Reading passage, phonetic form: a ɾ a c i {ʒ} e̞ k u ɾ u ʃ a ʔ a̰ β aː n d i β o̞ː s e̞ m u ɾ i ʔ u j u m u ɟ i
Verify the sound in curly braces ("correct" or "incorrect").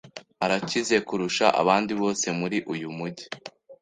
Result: incorrect